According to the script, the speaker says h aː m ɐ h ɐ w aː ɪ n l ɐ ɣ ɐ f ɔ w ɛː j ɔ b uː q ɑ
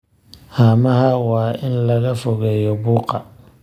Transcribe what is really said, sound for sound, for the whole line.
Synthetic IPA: h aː m ɐ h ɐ w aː ɪ n l ɐ ɣ ɐ f ɔ ɣ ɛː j ɔ b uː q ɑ